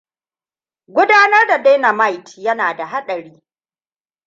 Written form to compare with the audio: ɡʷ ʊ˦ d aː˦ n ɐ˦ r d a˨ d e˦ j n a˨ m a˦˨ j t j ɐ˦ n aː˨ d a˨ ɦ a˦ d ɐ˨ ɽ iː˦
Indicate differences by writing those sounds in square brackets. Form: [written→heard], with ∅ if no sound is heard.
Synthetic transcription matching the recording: ɡʷ ʊ˦ d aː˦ n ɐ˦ r d a˨ d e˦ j n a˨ m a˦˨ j t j ɐ˦ n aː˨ d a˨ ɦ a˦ [d→ɗ] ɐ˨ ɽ iː˦